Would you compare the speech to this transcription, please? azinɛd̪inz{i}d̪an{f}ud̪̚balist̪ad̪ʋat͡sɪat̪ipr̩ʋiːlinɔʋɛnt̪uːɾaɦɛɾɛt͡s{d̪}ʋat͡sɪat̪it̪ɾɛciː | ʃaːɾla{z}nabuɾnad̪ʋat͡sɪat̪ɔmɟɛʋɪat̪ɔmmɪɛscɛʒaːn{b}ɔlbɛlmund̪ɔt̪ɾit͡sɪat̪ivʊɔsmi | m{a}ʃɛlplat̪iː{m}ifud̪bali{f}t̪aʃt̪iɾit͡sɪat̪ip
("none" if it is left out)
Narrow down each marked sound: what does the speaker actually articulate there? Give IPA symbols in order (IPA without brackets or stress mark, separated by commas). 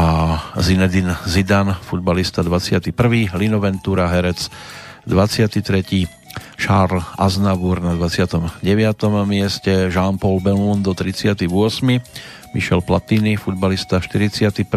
i, f, d̪, z, p, i, n, s